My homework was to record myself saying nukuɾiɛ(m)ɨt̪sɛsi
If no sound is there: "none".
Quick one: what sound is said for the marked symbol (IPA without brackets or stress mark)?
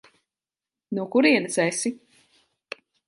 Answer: n